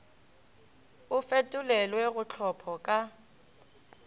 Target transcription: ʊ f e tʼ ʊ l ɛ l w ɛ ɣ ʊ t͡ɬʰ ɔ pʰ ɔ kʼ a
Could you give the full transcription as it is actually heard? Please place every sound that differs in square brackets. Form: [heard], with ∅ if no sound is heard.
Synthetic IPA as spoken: ʊ f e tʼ ʊ l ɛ l w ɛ ɣ ʊ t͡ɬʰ ɔ pʰ ɔ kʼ a

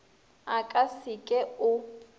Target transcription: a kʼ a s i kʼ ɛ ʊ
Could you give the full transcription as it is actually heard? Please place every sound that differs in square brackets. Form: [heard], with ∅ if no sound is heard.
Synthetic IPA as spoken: a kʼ a s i kʼ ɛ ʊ

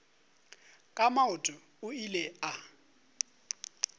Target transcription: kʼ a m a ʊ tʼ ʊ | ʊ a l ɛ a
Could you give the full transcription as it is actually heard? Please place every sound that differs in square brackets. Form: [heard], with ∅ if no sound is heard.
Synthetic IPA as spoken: kʼ a m a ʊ tʼ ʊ | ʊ [i] l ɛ a

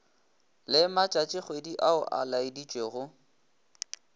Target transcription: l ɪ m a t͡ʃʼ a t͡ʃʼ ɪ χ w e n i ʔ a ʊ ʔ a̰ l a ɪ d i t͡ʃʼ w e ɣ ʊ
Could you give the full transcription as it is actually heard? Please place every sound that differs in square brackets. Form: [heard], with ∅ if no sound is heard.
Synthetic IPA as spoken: l ɪ m a t͡ʃʼ a t͡ʃʼ ɪ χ w e [d] i ʔ a ʊ ʔ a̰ l a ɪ d i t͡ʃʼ w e ɣ ʊ

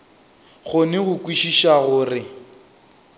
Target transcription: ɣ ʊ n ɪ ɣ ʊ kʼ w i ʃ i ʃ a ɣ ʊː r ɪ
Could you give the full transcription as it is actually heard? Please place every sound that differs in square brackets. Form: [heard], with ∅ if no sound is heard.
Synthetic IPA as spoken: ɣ ʊ n ɪ ɣ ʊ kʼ w i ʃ i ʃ a ɣ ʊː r ɪ

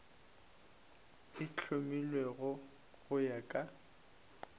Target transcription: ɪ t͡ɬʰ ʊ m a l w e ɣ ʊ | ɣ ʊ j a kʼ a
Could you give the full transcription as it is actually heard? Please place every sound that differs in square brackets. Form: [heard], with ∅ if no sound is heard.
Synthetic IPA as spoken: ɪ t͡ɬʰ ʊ m [i] l w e ɣ ʊ | ɣ ʊ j a kʼ a

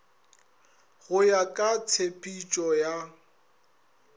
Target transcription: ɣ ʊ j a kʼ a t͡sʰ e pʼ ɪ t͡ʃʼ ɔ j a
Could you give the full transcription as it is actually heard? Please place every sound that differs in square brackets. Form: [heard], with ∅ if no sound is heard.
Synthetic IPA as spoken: ɣ ʊ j a kʼ a t͡sʰ e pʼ [i] t͡ʃʼ ɔ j a

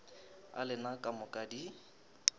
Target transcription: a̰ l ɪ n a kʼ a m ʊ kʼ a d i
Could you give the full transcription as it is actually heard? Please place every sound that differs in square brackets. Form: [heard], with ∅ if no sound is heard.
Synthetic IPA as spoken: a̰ l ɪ n a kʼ a m ʊ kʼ a d i

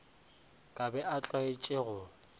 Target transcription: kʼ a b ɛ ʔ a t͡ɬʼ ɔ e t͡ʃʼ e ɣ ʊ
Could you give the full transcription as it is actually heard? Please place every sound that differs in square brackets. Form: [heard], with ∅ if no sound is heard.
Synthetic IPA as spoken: kʼ a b ɛ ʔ a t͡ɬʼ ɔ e t͡ʃʼ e ɣ ʊ

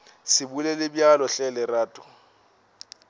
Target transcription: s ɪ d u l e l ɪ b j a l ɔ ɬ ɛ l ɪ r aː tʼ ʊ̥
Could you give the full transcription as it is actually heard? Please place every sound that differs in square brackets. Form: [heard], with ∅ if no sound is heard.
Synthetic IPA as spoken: s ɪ [b] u l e l ɪ b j a l ɔ ɬ ɛ l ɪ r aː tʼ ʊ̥

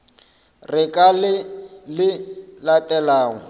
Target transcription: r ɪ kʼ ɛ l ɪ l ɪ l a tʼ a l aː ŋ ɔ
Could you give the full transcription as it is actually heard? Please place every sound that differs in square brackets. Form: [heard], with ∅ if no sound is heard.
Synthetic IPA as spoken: r ɪ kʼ [a] l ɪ l ɪ l a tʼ [ɛ] l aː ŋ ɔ

